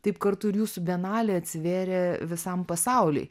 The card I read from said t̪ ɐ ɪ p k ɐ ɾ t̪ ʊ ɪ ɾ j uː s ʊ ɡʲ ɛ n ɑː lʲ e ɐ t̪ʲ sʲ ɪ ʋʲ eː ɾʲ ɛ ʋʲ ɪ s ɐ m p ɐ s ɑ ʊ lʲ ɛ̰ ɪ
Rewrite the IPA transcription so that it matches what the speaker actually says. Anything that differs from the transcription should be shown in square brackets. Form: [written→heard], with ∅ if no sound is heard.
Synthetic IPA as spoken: t̪ ɐ ɪ p k ɐ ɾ t̪ ʊ ɪ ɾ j uː s ʊ [ɡʲ→bʲ] ɛ n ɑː lʲ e ɐ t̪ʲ sʲ ɪ ʋʲ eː ɾʲ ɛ ʋʲ ɪ s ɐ m p ɐ s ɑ ʊ lʲ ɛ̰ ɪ